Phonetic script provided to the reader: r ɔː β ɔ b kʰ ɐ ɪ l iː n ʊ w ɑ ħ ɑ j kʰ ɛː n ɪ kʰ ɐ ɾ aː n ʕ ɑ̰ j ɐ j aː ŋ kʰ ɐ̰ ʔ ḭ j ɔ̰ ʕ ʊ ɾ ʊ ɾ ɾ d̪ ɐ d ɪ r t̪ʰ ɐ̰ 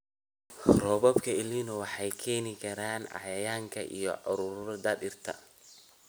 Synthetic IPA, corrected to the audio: r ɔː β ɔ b kʰ ɐ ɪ l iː n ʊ w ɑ ħ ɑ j kʰ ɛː n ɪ kʰ ɐ ɾ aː n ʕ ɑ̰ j ɐ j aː ŋ kʰ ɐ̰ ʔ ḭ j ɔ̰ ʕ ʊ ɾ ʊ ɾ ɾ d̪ ɐ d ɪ r t̪ʰ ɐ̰